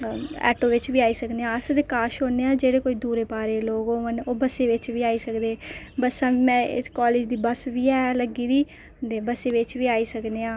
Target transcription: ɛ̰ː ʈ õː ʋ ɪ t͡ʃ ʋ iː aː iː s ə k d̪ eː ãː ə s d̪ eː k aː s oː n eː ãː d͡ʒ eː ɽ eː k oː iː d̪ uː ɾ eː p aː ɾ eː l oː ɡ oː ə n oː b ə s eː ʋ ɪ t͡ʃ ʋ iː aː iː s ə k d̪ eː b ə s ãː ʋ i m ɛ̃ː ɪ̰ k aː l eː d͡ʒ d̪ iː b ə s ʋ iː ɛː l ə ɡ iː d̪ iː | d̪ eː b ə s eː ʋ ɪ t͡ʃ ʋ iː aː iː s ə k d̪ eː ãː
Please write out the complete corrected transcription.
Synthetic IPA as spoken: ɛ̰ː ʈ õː ʋ ɪ t͡ʃ ʋ iː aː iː s ə k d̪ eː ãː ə s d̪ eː k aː ʃ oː n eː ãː d͡ʒ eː ɽ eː k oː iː d̪ uː ɾ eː p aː ɾ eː l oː ɡ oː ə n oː b ə s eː ʋ ɪ t͡ʃ ʋ iː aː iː s ə k d̪ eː b ə s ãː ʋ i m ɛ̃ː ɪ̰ k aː l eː d͡ʒ d̪ iː b ə s ʋ iː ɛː l ə ɡ iː d̪ iː | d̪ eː b ə s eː ʋ ɪ t͡ʃ ʋ iː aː iː s ə k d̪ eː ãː